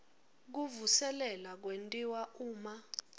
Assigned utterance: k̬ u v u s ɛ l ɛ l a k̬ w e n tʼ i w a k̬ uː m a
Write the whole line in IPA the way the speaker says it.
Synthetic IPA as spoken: k̬ u v u s ɛ l ɛ l a k̬ w e n tʼ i w a uː m a